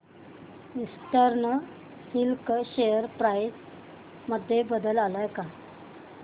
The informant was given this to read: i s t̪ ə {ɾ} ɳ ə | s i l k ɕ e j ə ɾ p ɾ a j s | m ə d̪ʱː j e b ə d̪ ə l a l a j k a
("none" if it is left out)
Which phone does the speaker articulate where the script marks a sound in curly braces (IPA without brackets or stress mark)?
ɾ